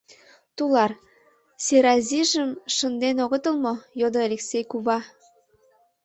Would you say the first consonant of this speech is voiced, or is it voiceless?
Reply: voiceless